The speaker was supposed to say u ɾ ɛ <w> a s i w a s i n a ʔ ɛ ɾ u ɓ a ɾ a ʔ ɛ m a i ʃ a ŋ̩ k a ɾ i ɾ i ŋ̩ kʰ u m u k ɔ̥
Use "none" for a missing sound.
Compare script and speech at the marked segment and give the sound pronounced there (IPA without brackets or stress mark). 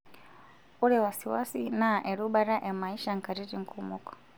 w